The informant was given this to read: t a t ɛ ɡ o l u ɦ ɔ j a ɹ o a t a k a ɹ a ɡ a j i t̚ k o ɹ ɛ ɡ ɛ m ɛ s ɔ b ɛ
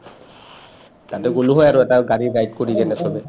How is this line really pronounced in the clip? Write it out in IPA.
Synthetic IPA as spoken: t a t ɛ ɡ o l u ɦ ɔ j a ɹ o ɛ t a ɡ a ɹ i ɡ a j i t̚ k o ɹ i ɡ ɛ n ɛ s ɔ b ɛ